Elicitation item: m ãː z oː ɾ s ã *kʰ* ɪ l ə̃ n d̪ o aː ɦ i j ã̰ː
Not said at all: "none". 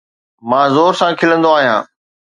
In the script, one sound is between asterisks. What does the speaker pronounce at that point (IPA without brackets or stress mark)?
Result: kʰ